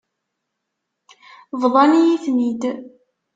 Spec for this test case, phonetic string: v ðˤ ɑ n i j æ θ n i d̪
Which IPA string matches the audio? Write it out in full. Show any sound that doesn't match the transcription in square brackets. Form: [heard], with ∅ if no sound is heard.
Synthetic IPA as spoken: v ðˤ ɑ n i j [i] θ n i d̪